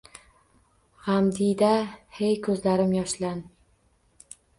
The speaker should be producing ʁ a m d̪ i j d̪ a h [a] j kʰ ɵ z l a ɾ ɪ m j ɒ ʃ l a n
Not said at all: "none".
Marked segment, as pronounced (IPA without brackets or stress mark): e